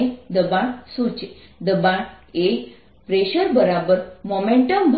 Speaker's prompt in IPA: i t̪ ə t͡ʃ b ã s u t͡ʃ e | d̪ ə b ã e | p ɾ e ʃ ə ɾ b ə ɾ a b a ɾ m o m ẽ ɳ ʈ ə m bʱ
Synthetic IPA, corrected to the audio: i d̪ ə b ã s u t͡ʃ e | d̪ ə b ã e | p ɾ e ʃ ə ɾ b ə ɾ a b ə ɾ m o m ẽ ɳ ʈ ə m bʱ